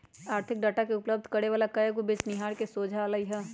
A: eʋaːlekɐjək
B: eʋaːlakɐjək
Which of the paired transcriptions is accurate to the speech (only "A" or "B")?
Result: B